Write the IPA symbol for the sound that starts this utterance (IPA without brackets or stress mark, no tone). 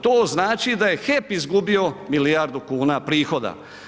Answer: t̪